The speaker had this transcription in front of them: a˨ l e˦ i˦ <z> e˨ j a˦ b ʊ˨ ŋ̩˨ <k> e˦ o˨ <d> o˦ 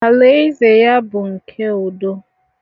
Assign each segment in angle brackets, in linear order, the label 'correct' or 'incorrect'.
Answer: correct, incorrect: kʰ, correct

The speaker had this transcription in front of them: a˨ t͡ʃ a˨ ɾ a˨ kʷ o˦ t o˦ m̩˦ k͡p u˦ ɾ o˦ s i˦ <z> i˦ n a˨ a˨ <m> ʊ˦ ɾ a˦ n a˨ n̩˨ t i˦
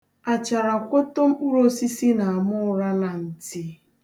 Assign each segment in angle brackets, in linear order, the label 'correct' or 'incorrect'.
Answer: incorrect: s, correct

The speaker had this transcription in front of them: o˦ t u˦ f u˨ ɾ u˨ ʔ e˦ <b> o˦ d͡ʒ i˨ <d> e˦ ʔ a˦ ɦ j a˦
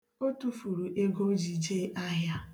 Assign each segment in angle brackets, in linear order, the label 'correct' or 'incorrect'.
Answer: incorrect: ɡ, incorrect: d͡ʒ

